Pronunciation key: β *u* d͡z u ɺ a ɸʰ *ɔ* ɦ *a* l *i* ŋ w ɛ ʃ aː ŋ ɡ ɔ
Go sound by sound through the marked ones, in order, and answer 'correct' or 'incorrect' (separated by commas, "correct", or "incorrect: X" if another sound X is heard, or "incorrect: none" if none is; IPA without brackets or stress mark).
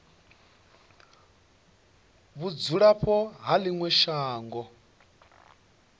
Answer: correct, correct, correct, correct